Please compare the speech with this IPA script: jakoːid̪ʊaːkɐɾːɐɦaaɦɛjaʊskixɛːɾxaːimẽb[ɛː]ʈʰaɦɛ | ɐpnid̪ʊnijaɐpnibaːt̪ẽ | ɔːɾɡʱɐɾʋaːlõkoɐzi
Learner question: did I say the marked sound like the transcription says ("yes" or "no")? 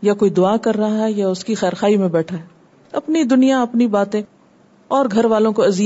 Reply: yes